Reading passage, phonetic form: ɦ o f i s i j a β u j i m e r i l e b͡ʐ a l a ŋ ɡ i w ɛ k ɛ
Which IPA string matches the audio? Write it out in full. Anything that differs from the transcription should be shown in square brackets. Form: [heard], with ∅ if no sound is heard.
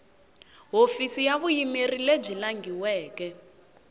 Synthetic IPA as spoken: ɦ o f i s i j a β u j i m e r i l e b͡ʐ [i] l a ŋ ɡ i w [ɛː] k ɛ

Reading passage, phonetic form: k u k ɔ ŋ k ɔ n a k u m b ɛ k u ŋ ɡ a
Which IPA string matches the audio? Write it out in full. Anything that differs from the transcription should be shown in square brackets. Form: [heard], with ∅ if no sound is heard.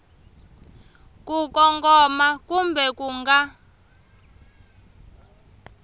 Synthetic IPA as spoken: k u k ɔ ŋ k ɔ [m] a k u m b ɛ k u ŋ ɡ a

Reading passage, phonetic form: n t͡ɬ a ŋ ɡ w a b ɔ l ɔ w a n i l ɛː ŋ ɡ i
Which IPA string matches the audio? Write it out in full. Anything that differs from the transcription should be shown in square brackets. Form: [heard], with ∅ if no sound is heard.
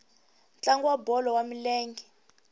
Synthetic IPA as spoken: n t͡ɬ a ŋ ɡ w a b ɔ l ɔ w a [m] i l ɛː ŋ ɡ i

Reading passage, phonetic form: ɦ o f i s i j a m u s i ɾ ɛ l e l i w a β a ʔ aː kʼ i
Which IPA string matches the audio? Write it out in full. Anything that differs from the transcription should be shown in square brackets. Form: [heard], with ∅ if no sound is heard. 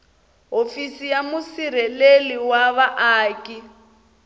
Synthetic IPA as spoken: ɦ o f i s i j a m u s i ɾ ɛ l e l i w a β a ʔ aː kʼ i

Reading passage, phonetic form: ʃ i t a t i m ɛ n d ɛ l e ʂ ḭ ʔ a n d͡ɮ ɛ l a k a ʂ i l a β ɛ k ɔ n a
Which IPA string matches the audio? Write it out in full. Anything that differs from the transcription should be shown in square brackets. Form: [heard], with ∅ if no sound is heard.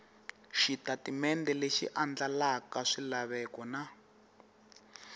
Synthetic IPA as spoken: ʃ i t a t i m ɛ n d ɛ l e [ʃ] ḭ ʔ a n d͡ɮ [a] l a k a ʂ i l a β ɛ k ɔ n a

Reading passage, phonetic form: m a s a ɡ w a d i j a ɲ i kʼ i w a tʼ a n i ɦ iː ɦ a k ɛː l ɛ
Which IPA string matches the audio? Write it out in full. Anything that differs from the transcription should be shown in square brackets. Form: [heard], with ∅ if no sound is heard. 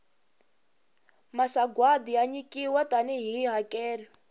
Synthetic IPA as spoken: m a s a ɡ w a d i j a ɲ i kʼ i w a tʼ a n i ɦ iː ɦ a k ɛː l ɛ

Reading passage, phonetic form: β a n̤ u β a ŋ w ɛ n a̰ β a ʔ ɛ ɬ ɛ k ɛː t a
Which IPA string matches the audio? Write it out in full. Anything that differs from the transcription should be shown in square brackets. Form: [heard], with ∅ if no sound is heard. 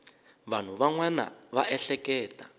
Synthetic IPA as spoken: β a n̤ u β a ŋ w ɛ n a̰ β a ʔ ɛ ɬ ɛ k ɛː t a

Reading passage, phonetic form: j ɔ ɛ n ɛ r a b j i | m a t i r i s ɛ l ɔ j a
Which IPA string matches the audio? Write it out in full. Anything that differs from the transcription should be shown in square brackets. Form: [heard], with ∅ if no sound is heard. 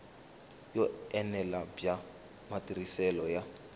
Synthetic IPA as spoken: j ɔ ɛ n ɛ [l] a b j [a] | m a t i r i s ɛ l ɔ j a

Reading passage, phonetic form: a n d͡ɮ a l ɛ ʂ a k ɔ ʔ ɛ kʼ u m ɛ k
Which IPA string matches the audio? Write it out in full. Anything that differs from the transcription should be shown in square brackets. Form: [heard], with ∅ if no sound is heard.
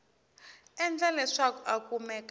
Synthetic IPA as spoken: [ɛ] n d͡ɮ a l ɛ ʂ a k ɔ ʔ [a] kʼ u m ɛ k

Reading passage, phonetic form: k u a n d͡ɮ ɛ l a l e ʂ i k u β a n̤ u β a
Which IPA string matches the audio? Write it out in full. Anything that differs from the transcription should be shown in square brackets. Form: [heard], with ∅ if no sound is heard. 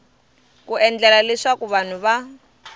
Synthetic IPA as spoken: k u [ɛ] n d͡ɮ ɛ l a l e ʂ [a] k u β a n̤ u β a

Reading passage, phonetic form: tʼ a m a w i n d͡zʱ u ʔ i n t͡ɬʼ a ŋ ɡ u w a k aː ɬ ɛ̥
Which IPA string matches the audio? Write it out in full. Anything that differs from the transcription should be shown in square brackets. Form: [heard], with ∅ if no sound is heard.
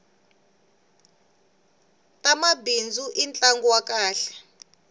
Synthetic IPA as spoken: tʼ a m a [b] i n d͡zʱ u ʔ i n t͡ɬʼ a ŋ ɡ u w a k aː ɬ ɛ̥

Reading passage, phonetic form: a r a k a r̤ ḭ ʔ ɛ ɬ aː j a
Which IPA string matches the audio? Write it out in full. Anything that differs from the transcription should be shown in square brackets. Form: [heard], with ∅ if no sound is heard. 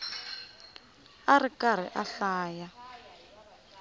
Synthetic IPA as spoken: a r [i] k a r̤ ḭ ʔ [a] ɬ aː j a

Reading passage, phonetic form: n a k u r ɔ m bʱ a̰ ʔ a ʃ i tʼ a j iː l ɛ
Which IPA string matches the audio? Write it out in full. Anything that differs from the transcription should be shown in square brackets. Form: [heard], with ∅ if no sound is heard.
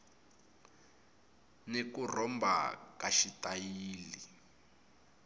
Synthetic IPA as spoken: n [e] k u r ɔ m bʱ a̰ [k] a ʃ i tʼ a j iː l [i]

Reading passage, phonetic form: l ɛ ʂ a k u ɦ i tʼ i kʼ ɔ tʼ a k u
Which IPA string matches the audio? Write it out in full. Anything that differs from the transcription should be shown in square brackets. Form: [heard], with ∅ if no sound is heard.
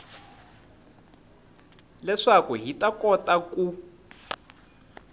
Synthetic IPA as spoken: l ɛ ʂ a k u ɦ i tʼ [a] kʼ ɔ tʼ a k u

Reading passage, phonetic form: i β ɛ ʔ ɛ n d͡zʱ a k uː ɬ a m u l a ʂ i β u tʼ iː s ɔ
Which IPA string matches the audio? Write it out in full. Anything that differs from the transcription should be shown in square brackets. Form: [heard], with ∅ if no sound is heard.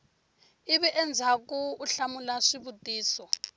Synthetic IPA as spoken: i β ɛ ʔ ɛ n d͡zʱ a k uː ɬ a m u l a ʂ i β u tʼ iː s ɔ

